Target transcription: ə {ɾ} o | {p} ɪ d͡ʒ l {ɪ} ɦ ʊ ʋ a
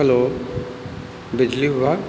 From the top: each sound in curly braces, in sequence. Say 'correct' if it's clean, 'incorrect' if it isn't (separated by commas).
incorrect, incorrect, incorrect